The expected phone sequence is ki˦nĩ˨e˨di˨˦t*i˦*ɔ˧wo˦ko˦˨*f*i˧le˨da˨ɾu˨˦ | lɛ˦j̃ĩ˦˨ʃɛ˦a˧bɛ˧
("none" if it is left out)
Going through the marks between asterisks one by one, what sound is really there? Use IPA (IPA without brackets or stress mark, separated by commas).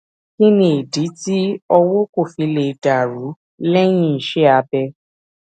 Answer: i˦, f